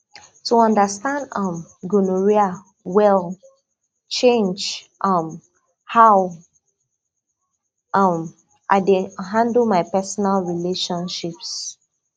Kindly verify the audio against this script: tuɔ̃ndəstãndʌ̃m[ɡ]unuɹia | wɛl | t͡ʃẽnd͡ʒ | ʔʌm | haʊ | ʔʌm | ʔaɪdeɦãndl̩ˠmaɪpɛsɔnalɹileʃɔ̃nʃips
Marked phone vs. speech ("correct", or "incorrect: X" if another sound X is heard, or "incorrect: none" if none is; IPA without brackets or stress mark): correct